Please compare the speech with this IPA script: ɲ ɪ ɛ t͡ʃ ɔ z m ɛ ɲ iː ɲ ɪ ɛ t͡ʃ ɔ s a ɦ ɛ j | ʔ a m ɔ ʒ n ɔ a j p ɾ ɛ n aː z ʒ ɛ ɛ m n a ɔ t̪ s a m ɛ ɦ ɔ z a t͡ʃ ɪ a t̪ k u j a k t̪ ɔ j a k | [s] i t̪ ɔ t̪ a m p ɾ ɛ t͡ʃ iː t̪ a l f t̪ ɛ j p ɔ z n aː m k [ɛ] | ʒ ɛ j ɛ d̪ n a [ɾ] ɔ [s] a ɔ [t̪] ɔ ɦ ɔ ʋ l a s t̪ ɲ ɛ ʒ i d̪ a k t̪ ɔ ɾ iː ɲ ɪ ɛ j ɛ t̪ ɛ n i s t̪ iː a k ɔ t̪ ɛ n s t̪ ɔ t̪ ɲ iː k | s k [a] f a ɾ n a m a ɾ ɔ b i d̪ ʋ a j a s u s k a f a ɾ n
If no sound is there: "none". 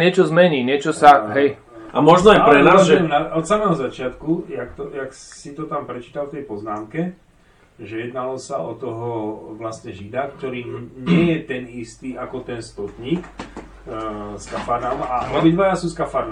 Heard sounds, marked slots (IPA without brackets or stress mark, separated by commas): s, ɛ, l, s, t̪, a